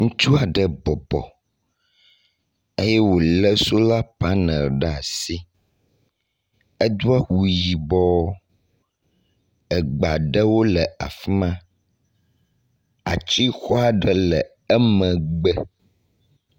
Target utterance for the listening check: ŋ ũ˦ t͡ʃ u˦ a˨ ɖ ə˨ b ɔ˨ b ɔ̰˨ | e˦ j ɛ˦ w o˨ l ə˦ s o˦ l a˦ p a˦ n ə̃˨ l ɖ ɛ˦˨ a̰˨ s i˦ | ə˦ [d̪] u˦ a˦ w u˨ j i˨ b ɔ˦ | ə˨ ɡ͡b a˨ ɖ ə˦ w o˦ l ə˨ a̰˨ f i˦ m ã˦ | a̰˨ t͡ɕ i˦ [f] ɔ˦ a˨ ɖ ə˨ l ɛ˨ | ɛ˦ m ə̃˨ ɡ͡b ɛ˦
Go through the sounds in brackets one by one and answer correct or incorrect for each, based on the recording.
correct, incorrect

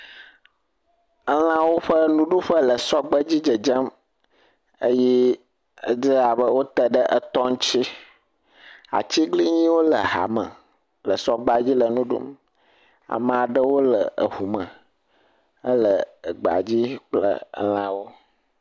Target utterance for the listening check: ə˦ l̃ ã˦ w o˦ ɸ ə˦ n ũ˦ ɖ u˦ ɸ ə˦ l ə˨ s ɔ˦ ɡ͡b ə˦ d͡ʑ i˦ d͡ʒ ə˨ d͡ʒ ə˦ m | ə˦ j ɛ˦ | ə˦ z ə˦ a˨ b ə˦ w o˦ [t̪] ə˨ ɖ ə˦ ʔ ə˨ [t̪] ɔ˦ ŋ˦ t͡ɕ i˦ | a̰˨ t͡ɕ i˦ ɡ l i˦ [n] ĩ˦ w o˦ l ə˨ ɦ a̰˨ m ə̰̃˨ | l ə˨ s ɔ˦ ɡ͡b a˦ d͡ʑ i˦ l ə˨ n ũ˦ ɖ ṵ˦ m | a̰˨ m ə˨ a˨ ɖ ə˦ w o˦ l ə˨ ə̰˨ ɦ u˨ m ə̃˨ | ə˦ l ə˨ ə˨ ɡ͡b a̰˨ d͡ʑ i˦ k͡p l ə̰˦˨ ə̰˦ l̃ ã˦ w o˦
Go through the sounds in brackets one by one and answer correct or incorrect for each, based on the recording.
correct, correct, incorrect

